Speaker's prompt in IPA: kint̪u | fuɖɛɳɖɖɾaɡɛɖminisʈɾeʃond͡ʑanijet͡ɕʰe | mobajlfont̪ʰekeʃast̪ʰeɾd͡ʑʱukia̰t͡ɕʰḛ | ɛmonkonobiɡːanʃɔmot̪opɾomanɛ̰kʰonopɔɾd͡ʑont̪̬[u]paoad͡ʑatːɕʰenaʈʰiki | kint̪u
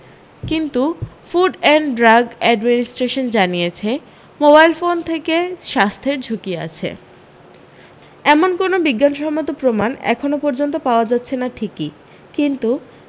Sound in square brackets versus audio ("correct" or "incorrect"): incorrect